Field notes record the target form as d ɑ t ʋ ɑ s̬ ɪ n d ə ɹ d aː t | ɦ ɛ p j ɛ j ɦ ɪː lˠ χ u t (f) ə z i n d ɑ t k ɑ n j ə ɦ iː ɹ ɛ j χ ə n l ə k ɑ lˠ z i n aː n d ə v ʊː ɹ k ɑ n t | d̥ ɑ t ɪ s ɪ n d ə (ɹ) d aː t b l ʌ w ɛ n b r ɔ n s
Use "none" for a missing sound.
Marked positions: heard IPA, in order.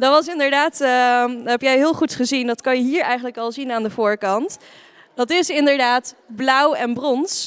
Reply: χ, ɹ

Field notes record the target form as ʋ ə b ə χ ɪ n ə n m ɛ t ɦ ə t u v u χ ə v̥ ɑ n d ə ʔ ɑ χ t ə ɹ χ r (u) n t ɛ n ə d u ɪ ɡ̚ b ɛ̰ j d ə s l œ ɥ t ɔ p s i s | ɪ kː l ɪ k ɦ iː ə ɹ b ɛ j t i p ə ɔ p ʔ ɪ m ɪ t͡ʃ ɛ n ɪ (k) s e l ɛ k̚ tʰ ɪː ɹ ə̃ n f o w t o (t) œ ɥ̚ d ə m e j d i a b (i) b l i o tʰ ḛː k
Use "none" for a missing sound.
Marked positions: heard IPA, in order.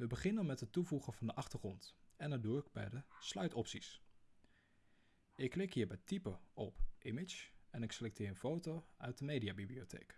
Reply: ɔ, k, none, i

